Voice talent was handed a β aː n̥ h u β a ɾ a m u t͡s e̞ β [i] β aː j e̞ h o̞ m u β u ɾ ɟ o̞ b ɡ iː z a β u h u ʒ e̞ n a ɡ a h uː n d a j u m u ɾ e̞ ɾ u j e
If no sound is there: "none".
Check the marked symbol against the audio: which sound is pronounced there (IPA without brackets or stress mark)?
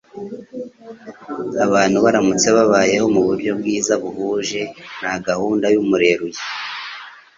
a